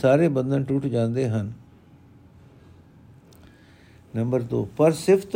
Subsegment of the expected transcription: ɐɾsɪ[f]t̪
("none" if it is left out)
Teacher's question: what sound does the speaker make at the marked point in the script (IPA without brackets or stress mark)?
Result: f